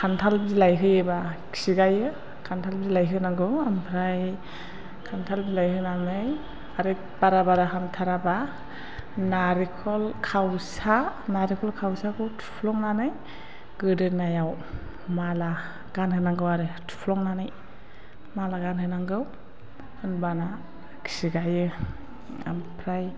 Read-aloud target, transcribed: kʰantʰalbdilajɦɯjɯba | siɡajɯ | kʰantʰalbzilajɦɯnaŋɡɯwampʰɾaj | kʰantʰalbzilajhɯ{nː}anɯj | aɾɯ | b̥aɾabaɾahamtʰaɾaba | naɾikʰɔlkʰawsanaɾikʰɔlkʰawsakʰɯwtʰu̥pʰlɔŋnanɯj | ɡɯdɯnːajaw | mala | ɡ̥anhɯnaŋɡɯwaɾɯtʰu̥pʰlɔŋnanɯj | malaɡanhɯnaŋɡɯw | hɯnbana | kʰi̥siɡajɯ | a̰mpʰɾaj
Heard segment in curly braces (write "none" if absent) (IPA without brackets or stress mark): n